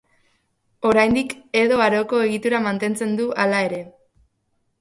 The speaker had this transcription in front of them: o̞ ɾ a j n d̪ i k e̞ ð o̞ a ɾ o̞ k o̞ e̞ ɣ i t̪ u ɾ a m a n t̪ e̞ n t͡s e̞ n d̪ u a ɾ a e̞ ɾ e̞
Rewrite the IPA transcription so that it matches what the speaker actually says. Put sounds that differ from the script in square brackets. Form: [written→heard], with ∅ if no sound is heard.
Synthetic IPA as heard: o̞ ɾ a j n d̪ i k e̞ ð o̞ a ɾ o̞ k o̞ e̞ ɣ i t̪ u ɾ a m a n t̪ e̞ n t͡s e̞ n d̪ u a [ɾ→l] a e̞ ɾ e̞